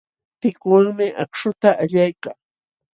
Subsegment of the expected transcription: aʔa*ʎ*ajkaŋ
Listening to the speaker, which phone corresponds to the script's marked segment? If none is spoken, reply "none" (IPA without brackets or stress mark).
ʎ